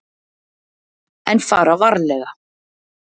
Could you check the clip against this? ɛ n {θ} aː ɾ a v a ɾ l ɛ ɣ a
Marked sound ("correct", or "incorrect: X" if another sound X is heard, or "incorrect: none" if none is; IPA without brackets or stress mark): incorrect: f